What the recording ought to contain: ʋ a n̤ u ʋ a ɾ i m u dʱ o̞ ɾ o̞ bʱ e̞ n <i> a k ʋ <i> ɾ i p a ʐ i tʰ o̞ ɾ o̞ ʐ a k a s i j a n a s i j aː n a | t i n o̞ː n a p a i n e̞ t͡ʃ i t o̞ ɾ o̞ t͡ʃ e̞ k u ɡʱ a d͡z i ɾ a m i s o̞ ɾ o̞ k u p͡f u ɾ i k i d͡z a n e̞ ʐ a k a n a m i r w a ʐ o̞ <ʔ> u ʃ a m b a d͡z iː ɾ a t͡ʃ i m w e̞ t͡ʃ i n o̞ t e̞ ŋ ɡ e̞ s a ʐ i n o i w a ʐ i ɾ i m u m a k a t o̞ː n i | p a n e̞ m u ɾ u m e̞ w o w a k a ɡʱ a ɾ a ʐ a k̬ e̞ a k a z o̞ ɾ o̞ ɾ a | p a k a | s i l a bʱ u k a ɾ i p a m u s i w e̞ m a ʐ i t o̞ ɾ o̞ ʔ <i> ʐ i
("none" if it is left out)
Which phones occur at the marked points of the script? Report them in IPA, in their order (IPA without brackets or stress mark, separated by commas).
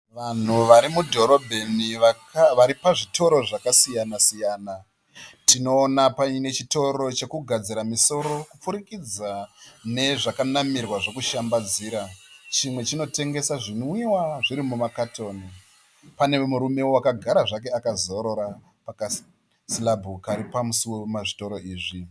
i, a, k, iː